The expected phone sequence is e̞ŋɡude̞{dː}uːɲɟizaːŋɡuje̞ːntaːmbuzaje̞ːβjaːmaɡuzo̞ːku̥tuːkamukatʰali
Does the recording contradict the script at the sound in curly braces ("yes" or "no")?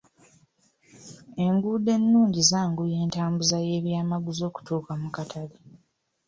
yes